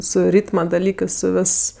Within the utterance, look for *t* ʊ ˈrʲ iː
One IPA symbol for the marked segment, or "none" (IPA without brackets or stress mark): s